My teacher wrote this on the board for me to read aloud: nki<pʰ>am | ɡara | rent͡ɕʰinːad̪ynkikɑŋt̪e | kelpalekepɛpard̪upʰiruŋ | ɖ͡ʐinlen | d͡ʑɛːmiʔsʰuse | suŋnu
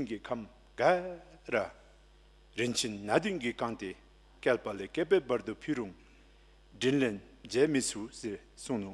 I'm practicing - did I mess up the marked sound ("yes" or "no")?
yes